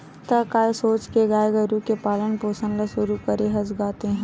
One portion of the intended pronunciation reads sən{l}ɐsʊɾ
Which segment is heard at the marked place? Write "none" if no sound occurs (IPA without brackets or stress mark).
l